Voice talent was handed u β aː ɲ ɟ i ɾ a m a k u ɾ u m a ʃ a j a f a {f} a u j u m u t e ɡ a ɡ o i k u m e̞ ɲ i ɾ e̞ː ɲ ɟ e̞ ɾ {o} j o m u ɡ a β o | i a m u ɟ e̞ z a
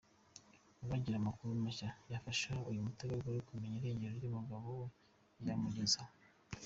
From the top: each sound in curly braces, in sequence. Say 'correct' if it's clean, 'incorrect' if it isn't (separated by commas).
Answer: incorrect, correct